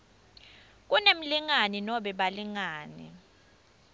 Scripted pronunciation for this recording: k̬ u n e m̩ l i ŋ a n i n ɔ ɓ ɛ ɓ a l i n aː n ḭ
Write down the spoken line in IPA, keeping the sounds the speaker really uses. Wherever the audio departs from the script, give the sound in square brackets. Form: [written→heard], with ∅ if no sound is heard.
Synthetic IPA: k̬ u n e m̩ l i ŋ a n i n ɔ ɓ ɛ ɓ a l i [n→ŋ] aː n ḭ